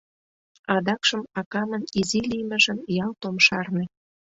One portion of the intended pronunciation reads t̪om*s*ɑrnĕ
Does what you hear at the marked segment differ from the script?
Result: yes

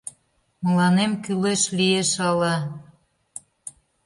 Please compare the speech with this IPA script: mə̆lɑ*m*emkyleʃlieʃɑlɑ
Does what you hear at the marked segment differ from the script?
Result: yes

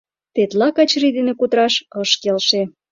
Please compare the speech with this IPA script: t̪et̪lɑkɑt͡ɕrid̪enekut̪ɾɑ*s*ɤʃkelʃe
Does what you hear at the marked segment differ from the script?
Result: yes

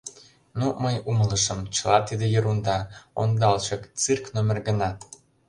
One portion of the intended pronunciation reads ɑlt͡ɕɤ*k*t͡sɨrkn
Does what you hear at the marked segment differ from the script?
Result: no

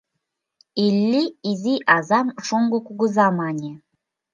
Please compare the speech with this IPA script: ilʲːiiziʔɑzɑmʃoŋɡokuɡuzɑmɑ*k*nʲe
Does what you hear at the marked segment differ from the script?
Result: yes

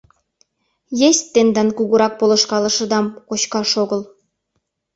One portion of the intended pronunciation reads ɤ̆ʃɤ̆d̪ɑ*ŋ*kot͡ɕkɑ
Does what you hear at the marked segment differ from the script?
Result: yes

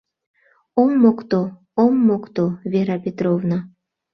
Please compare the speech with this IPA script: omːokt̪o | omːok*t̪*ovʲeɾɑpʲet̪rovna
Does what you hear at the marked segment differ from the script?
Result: no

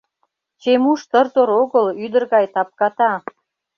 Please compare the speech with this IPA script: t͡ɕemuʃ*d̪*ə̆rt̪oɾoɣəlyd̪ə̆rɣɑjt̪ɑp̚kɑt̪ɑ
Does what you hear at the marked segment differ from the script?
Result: yes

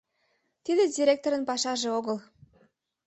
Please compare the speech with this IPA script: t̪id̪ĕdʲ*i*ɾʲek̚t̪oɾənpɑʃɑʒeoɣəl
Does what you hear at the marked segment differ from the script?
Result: no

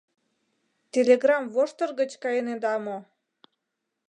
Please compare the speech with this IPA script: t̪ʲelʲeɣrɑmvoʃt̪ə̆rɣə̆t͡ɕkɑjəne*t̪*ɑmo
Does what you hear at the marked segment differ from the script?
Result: yes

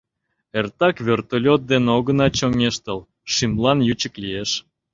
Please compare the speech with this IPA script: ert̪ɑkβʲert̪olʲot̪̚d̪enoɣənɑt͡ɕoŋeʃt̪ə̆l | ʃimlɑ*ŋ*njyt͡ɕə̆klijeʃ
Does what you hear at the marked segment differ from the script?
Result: yes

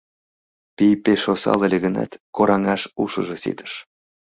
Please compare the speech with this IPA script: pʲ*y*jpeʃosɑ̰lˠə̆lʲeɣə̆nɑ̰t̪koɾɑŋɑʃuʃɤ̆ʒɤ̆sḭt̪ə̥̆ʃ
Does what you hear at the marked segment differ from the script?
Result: yes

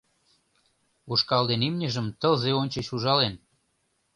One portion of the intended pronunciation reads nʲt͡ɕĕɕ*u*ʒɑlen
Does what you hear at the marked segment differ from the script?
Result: no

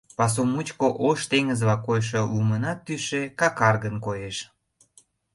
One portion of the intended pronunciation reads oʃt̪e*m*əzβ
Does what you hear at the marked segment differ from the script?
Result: yes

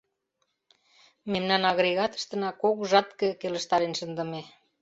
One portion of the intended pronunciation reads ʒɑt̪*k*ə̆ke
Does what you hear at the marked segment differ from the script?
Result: no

